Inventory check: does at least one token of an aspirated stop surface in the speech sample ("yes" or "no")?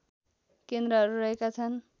yes